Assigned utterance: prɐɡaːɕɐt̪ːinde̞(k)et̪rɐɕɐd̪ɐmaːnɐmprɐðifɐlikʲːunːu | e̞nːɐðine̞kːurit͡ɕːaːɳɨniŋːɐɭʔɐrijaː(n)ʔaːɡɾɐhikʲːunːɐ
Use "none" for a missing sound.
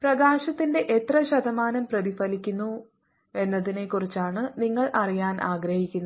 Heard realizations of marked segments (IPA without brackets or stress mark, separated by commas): ʔ, n